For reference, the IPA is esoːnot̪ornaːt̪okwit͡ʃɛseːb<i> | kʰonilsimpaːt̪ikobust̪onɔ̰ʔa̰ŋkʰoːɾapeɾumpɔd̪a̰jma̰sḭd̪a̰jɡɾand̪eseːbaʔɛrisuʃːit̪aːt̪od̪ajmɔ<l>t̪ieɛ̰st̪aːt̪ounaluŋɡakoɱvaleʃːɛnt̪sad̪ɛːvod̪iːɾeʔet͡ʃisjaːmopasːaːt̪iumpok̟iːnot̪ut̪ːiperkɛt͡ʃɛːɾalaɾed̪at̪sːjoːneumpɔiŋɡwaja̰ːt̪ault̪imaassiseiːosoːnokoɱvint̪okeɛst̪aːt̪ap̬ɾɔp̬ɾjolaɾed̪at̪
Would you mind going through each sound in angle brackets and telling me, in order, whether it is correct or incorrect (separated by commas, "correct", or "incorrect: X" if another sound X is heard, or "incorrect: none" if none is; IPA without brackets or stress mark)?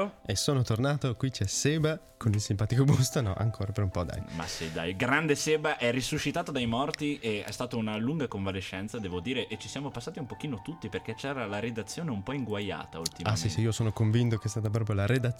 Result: incorrect: a, incorrect: r